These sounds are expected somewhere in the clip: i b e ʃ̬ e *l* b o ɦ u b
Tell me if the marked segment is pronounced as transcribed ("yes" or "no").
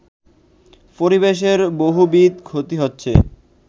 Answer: no